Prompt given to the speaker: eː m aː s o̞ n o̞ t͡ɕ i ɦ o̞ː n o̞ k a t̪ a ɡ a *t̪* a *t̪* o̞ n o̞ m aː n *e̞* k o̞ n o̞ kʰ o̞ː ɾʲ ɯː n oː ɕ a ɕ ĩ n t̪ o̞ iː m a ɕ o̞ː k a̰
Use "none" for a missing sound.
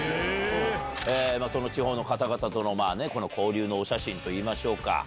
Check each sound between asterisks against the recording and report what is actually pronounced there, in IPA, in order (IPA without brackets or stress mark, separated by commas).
t̪, t̪, e̞